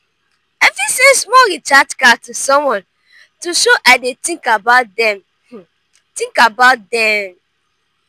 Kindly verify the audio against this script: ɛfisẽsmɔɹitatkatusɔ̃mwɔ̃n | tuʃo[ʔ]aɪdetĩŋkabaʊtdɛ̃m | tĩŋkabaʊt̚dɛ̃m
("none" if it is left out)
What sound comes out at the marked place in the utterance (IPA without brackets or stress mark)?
ʔ